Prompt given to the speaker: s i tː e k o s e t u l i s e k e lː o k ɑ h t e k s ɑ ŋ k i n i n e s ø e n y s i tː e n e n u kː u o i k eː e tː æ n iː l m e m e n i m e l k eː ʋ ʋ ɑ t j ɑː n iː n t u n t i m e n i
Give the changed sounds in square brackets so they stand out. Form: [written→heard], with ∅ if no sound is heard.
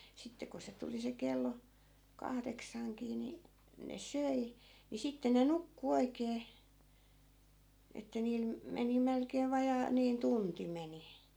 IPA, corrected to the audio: s i tː e k o s e t u l i s e k e lː o k ɑ h [t→d] e k s ɑ ŋ k [i→iː] n i n e s ø [e→i] n [y→i] s i tː e n e n u kː u o i k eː e tː æ n iː l m e m e n i m e l k eː ʋ ʋ ɑ [t→∅] j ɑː n iː n t u n t i m e n i